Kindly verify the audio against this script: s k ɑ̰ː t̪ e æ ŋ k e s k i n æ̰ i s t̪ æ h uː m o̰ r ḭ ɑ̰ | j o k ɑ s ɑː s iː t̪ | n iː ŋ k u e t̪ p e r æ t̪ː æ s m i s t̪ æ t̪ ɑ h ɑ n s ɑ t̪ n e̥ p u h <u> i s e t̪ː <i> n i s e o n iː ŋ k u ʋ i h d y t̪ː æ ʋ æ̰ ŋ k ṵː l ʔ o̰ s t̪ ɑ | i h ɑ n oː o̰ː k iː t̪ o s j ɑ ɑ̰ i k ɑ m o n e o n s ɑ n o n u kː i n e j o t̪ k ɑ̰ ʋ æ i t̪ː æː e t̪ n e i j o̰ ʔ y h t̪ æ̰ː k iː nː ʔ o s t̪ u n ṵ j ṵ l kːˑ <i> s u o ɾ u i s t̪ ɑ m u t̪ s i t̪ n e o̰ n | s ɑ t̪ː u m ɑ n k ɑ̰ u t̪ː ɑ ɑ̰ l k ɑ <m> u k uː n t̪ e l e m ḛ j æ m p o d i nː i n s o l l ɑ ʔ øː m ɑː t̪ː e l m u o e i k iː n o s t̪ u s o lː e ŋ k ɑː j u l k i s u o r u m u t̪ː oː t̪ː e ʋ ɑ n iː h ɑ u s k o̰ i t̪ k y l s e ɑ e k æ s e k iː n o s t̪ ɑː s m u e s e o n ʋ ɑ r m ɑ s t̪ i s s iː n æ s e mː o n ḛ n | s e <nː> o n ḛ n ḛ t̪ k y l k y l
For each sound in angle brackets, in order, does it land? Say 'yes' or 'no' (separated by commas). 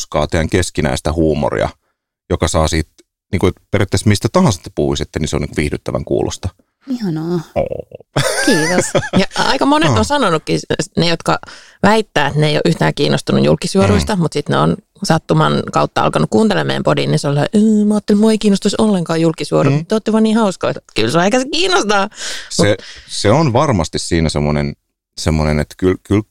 yes, no, yes, no, no